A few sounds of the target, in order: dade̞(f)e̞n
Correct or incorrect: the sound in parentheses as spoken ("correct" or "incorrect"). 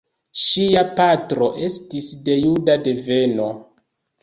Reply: incorrect